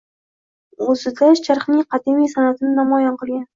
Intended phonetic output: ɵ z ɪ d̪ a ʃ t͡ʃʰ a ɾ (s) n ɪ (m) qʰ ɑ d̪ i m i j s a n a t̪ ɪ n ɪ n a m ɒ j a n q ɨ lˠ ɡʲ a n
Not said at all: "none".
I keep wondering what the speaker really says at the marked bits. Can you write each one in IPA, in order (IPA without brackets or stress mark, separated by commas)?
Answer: χ, ŋ